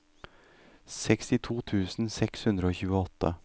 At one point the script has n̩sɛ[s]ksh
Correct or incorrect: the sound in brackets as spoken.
incorrect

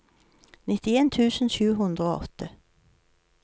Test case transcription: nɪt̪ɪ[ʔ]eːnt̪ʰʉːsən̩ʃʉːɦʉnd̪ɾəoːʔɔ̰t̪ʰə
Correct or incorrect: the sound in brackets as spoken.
incorrect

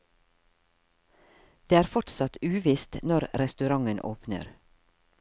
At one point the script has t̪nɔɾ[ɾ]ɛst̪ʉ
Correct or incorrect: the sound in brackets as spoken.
correct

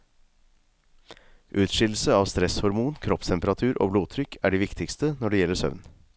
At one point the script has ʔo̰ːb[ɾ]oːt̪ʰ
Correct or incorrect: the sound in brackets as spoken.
incorrect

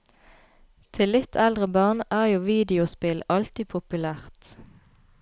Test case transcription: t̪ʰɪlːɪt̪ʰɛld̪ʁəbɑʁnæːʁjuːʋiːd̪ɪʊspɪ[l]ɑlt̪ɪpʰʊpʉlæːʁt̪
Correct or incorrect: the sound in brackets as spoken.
correct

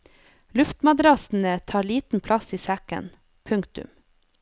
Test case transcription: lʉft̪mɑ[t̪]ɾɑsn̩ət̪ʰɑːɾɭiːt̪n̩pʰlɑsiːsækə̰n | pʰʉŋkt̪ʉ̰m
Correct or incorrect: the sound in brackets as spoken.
incorrect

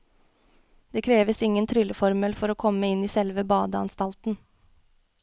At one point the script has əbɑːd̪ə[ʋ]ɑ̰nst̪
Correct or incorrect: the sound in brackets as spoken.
incorrect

